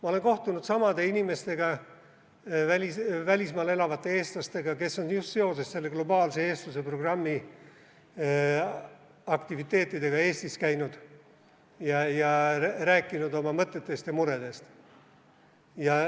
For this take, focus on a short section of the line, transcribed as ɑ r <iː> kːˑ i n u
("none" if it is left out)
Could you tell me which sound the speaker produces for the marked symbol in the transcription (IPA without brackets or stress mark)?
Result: æː